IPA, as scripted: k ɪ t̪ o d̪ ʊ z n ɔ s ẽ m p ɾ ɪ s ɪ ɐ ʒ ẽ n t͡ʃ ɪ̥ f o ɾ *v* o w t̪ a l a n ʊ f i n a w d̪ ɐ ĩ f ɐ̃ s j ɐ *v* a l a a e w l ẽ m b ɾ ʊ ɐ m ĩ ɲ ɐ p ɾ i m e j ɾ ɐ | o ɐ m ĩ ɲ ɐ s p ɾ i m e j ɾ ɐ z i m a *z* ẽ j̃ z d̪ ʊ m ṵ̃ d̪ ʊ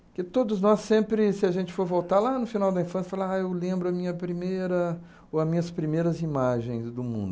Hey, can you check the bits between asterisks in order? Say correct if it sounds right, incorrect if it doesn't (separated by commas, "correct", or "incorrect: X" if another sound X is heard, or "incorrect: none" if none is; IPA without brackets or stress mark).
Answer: correct, incorrect: f, incorrect: ʒ